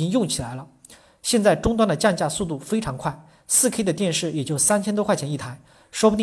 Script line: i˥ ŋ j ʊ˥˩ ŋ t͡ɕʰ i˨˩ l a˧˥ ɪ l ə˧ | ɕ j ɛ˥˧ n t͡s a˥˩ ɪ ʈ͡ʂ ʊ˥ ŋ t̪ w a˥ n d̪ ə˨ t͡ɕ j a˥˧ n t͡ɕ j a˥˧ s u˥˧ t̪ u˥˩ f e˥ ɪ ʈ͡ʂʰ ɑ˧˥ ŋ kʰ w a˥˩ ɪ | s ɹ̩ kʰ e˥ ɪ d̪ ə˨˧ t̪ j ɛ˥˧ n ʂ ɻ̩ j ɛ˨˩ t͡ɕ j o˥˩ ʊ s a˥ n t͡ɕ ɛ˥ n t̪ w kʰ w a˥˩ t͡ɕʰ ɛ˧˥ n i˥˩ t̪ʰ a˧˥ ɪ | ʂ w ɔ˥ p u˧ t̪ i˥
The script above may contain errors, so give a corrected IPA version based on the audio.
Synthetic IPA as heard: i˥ ŋ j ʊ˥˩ ŋ t͡ɕʰ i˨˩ l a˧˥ ɪ l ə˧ | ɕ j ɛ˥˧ n t͡s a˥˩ ɪ ʈ͡ʂ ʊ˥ ŋ t̪ w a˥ n d̪ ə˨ t͡ɕ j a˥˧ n t͡ɕ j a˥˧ s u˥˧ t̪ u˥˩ f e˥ ɪ ʈ͡ʂʰ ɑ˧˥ ŋ kʰ w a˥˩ ɪ | s ɹ̩ kʰ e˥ ɪ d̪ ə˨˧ t̪ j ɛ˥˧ n ʂ ɻ̩ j ɛ˨˩ t͡ɕ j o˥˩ ʊ s a˥ n t͡ɕʰ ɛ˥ n t̪ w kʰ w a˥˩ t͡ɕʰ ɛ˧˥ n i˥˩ t̪ʰ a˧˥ ɪ | ʂ w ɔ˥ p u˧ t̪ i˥